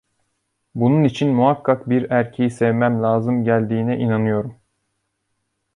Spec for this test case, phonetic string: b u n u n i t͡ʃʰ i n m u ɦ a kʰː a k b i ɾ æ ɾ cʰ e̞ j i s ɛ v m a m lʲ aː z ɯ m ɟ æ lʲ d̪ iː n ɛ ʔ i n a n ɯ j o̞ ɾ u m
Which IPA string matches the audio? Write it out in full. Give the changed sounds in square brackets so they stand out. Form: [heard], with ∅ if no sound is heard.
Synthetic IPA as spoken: b u n u n i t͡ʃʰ i n m u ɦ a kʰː a k b i ɾ æ ɾ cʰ e̞ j i s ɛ v m [æ] m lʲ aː z ɯ m ɟ æ lʲ d̪ iː n ɛ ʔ i n a n ɯ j o̞ ɾ u m